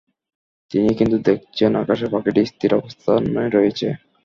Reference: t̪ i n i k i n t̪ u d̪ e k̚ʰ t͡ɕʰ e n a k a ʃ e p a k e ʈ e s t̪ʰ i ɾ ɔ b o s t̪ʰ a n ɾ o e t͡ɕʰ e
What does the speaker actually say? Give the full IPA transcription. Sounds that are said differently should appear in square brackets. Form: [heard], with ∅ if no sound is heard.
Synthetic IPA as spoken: t̪ i n i k i n t̪ u d̪ e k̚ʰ t͡ɕʰ e n a k a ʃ e p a k e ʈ [i] s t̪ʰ i ɾ ɔ b o s t̪ʰ a n ɾ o e t͡ɕʰ e